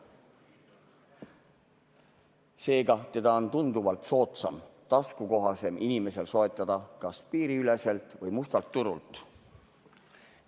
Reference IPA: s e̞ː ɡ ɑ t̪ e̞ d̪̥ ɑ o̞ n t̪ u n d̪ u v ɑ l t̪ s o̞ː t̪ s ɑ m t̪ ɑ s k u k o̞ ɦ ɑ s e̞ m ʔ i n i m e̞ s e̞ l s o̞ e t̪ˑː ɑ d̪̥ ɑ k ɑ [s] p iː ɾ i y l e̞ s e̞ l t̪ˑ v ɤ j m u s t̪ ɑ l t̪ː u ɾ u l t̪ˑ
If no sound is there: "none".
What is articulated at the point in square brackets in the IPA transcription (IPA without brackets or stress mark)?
s